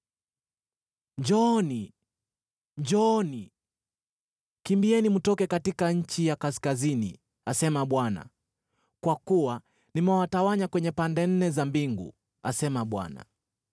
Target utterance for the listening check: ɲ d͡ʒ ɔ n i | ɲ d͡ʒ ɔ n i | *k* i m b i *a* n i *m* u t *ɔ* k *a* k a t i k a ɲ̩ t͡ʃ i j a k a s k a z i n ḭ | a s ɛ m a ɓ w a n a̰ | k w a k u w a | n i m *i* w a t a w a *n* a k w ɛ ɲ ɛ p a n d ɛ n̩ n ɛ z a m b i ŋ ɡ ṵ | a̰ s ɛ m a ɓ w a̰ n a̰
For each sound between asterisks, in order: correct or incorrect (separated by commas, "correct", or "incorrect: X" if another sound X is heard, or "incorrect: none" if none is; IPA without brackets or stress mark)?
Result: correct, incorrect: ɛ, correct, correct, incorrect: ɛ, incorrect: ɛ, incorrect: ɲ